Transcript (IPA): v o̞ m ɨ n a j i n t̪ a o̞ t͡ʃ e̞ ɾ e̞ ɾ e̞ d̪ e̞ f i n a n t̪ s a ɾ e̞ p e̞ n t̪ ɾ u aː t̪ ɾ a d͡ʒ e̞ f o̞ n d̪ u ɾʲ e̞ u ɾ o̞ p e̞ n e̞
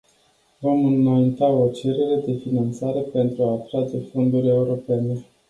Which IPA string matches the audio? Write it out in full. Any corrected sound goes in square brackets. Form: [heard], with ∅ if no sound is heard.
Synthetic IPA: v o̞ m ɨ n a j i n t̪ a o̞ t͡ʃ e̞ ɾ e̞ ɾ e̞ d̪ e̞ f i n a n t̪ s a ɾ e̞ p e̞ n t̪ ɾ u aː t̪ ɾ a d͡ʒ e̞ f o̞ n d̪ u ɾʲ e̞ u ɾ o̞ p e̞ n e̞